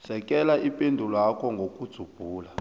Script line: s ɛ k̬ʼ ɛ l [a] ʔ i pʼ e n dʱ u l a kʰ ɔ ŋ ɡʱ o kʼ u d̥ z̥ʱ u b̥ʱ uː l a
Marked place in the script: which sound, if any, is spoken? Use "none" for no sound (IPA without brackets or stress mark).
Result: a